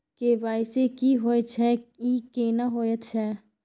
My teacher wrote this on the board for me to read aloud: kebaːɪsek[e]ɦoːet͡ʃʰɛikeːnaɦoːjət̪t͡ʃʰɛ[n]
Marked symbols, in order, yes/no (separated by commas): no, no